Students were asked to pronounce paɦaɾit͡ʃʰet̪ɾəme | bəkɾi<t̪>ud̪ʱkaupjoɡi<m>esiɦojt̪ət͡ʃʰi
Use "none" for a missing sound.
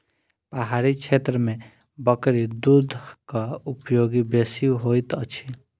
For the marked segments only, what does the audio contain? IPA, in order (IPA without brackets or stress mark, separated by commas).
d̪, b